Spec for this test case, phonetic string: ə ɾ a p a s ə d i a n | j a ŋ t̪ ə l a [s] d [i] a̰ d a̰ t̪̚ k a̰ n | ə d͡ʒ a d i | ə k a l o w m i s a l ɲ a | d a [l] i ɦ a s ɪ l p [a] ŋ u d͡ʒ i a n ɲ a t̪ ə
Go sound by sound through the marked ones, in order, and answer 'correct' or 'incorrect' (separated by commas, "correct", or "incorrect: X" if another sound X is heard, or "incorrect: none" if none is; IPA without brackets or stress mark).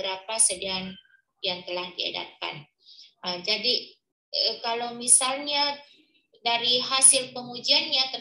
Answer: incorrect: h, correct, incorrect: ɾ, incorrect: ə